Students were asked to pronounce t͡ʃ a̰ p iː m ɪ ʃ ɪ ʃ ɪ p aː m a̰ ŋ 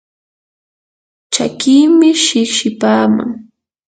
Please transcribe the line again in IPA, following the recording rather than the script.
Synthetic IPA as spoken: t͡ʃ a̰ k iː m ɪ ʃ ɪ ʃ ɪ p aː m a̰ ŋ

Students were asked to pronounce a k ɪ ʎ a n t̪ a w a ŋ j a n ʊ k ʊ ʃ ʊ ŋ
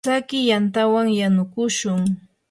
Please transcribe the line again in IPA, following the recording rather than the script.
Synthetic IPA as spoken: a k ɪ j a n t̪ a w a ŋ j a n ʊ k ʊ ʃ ʊ ŋ

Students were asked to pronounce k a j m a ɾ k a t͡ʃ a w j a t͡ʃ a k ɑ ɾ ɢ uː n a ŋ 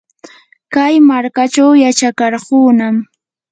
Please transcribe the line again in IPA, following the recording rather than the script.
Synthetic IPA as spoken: k a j m a ɾ k a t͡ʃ a w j a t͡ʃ a k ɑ ɾ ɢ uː n a m

